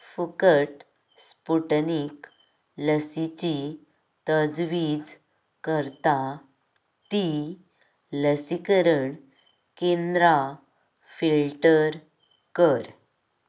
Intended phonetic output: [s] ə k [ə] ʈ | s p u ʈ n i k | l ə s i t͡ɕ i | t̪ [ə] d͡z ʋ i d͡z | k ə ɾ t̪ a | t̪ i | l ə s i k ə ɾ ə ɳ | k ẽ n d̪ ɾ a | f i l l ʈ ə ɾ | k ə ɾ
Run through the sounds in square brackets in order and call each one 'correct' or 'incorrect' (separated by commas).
incorrect, correct, correct